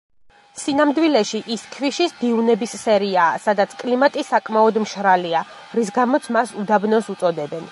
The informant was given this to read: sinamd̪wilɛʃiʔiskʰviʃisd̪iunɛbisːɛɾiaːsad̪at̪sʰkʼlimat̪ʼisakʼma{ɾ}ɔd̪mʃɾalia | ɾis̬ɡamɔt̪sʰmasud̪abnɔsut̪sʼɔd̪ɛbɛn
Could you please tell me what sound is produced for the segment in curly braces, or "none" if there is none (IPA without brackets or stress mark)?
none